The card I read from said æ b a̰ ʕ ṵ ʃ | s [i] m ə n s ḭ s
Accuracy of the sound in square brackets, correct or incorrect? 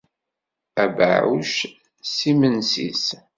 correct